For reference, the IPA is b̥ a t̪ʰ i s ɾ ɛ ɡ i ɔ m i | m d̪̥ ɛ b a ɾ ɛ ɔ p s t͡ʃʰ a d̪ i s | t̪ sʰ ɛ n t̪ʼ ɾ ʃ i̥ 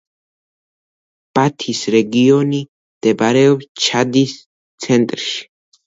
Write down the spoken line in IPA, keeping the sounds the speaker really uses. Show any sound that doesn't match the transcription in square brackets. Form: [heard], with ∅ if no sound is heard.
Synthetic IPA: b̥ a t̪ʰ i s ɾ ɛ ɡ i ɔ [n] i | m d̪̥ ɛ b a ɾ ɛ ɔ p s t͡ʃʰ a d̪ i s | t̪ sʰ ɛ n t̪ʼ ɾ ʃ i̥